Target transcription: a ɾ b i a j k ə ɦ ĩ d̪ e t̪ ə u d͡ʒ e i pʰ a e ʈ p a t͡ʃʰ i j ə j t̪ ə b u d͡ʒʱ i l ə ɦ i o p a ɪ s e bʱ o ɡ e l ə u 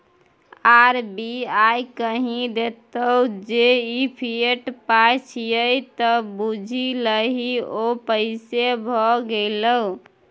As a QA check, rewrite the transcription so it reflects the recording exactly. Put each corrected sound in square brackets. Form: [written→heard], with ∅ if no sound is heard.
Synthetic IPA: a ɾ b i a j k ə ɦ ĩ d̪ e t̪ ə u d͡ʒ e i pʰ [a→i] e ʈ p a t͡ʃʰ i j ə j t̪ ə b u d͡ʒʱ i l ə ɦ i o p [a→ə] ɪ s e bʱ [o→ɔ] ɡ e l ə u